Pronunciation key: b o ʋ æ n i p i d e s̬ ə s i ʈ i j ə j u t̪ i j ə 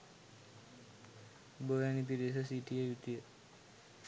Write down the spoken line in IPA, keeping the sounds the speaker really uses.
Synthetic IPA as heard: b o ʋ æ n i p i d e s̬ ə s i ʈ i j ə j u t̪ i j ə